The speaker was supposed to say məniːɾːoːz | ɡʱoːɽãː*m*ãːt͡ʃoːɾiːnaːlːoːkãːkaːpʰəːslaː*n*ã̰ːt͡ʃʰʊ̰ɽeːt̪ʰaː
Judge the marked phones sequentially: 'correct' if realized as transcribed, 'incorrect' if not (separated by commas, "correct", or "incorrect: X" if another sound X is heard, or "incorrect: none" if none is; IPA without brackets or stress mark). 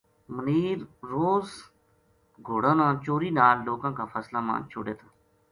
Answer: incorrect: n, incorrect: m